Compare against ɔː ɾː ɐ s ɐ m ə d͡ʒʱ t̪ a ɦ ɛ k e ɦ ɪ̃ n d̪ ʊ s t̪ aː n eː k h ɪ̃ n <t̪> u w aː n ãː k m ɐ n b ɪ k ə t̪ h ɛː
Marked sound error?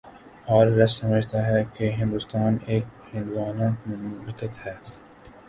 yes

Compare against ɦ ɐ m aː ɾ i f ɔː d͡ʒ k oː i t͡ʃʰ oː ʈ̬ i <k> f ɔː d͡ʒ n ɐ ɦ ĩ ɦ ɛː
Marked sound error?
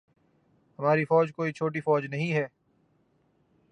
yes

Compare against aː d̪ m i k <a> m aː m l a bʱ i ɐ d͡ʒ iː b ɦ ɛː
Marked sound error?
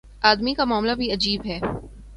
no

